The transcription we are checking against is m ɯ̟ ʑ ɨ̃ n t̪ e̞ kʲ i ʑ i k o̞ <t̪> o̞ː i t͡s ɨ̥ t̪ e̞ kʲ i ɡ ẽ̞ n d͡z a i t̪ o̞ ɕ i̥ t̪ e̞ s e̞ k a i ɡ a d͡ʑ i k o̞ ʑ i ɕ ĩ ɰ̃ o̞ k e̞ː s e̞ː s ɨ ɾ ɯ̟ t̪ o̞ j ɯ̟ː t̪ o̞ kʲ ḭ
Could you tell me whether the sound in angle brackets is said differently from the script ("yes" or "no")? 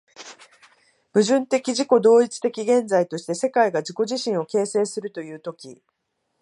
yes